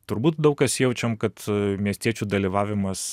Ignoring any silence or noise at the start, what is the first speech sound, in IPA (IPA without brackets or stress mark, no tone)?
t̪